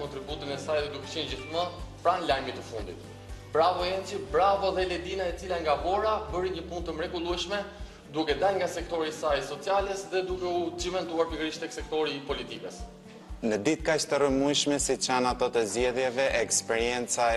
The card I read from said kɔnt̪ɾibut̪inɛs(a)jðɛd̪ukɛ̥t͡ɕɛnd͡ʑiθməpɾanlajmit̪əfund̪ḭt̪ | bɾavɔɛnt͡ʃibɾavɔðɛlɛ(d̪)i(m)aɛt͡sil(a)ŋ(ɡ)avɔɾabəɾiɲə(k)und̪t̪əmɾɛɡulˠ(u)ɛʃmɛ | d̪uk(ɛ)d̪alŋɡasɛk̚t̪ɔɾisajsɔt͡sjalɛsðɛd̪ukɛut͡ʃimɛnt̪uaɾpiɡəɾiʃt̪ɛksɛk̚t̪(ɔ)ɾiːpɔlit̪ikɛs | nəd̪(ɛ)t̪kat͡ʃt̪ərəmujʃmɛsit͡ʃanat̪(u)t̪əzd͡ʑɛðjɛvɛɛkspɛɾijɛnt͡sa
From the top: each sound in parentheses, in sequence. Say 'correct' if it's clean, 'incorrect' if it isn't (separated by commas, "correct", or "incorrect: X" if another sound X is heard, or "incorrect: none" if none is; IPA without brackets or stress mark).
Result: correct, correct, incorrect: n, correct, correct, incorrect: p, correct, correct, correct, incorrect: i, incorrect: ɔ